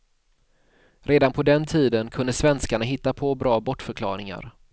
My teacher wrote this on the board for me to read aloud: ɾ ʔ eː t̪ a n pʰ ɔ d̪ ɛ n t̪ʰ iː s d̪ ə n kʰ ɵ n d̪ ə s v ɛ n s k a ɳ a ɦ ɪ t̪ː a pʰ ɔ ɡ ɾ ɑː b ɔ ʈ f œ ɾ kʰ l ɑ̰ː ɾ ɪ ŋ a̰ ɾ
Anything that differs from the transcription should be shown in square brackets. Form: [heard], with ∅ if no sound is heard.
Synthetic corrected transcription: ɾ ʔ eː [d̪] a n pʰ ɔ d̪ ɛ n t̪ʰ iː [∅] d̪ ə n kʰ ɵ n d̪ ə s v ɛ n s k a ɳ a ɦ ɪ t̪ː a pʰ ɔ [b] ɾ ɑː b ɔ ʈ f œ ɾ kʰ l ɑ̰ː ɾ ɪ ŋ a̰ ɾ